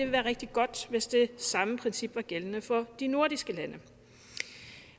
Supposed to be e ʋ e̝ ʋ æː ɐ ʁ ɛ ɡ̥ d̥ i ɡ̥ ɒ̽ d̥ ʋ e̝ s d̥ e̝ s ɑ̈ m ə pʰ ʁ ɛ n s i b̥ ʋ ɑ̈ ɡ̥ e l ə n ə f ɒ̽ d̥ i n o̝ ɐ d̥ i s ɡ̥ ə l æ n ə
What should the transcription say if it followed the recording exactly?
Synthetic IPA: e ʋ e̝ ʋ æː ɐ ʁ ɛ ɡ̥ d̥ i ɡ̥ ɒ̽ d̥ ʋ e̝ s d̥ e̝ s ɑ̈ m ə pʰ ʁ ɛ n s i b̥ ʋ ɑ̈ ɡ̥ e l ə n ə f ɒ̽ d̥ i n o̝ ɐ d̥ i s ɡ̥ ə l æ n ə